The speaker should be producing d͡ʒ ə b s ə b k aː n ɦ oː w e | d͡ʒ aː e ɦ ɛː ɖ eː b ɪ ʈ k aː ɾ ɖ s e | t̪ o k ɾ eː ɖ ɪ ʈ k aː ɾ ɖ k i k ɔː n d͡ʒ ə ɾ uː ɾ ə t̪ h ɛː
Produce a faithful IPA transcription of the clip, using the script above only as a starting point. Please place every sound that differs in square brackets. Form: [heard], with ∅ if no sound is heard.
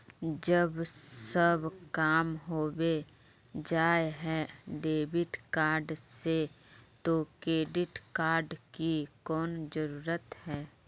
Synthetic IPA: d͡ʒ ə b s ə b k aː [m] ɦ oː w e | d͡ʒ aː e ɦ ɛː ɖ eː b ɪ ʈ k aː ɾ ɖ s e | t̪ o k ɾ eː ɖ ɪ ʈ k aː ɾ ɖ k i k ɔː n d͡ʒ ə ɾ uː ɾ ə t̪ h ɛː